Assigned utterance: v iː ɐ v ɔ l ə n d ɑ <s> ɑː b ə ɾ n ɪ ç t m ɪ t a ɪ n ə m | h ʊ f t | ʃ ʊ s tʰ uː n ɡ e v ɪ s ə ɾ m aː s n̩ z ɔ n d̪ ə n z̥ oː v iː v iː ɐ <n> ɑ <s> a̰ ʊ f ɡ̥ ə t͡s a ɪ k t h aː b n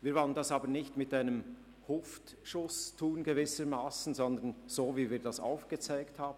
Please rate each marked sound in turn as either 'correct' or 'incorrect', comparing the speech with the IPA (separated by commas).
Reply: correct, incorrect, correct